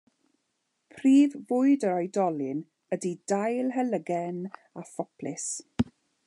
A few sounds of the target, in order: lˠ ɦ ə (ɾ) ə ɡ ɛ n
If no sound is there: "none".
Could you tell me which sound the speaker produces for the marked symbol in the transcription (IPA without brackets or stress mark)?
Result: l